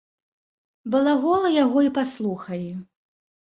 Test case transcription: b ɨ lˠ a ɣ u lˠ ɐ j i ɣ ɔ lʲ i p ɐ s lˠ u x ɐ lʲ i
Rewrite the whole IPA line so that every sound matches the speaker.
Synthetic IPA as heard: b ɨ lˠ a ɣ ɔ lˠ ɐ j a ɣ ɔ i p a s lˠ u x ɐ lʲ i